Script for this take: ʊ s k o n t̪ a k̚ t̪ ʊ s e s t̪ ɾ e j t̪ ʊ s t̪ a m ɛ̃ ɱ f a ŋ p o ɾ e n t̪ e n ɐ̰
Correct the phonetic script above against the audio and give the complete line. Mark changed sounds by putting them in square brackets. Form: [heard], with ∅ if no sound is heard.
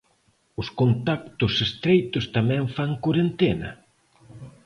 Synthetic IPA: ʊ s k o n t̪ a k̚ t̪ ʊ s e s t̪ ɾ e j t̪ ʊ s t̪ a m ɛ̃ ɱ f a ŋ [k] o ɾ e n t̪ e n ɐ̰